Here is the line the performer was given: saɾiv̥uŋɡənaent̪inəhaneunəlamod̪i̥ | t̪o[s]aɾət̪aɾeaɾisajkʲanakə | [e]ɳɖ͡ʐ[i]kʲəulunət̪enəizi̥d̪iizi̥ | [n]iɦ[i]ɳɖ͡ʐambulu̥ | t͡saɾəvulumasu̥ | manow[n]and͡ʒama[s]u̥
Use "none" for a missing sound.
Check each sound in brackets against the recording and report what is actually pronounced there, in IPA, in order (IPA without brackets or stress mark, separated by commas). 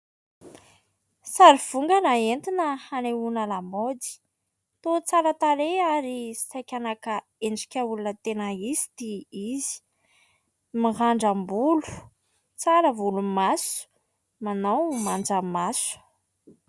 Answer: t͡s, e, i, m, a, m, s